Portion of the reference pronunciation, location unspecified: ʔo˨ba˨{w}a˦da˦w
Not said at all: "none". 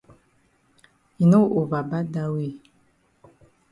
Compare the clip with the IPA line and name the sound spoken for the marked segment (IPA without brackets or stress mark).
b